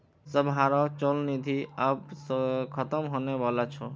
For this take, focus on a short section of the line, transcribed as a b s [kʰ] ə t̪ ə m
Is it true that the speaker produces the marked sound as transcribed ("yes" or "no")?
yes